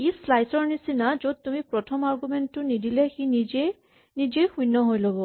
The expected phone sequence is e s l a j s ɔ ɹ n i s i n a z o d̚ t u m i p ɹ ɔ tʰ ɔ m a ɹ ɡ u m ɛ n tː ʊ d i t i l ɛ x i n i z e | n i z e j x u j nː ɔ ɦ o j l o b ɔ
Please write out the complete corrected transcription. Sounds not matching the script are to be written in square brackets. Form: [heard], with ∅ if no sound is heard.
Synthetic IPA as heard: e s l a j s ɔ ɹ n i s i n a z o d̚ t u m i p ɹ ɔ tʰ ɔ m a ɹ ɡ u m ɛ n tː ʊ [n] i [d] i l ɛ x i n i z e | n i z e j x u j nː ɔ ɦ o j l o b ɔ